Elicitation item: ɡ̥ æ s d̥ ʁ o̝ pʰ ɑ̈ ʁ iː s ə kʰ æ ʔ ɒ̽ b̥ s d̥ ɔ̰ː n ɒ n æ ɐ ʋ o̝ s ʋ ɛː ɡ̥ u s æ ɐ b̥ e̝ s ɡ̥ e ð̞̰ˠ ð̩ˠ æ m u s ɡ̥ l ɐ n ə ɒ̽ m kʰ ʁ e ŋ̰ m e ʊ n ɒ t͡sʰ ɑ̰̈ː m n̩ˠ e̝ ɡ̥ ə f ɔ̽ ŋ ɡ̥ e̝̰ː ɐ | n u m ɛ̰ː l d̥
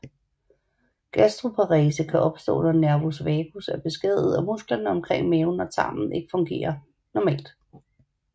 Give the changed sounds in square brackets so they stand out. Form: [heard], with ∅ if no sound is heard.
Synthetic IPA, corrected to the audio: ɡ̥ æ s d̥ ʁ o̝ pʰ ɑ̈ ʁ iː s ə kʰ æ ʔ ɒ̽ b̥ s d̥ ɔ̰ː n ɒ n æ ɐ ʋ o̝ s ʋ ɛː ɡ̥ u s æ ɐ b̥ e̝ s ɡ̥ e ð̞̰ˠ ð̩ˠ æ m u s ɡ̥ l ɐ n ə ɒ̽ m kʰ ʁ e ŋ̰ m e ʊ n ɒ t͡sʰ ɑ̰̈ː m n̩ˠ e̝ ɡ̥ ə f ɔ̽ ŋ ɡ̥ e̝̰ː ɐ | n [ɒ] m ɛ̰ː l d̥